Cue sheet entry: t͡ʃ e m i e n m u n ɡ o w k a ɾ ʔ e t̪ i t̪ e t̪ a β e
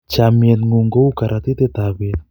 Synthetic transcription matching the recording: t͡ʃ a m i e n ŋ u ŋ ɡ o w k a ɾ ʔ a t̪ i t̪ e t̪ a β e